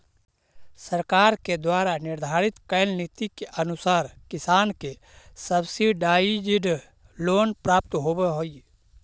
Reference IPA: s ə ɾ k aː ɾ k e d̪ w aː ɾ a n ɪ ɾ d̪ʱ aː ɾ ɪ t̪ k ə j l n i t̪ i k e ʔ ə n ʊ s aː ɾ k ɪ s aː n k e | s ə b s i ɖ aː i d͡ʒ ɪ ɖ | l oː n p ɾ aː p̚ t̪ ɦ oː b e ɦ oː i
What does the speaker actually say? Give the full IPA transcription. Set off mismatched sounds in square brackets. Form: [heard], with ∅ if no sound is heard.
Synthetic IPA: s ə ɾ k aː ɾ k e d̪ w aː ɾ a n ɪ ɾ d̪ʱ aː ɾ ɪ t̪ k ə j l n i t̪ i k e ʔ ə n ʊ s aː ɾ k ɪ s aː n k e | s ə b s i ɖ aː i d͡ʒ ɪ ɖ | l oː n p ɾ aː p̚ t̪ ɦ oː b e ɦ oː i